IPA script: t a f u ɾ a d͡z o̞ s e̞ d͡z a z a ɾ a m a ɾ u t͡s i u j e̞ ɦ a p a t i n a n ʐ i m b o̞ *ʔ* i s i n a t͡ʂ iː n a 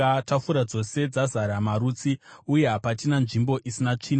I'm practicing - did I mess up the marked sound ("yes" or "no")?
no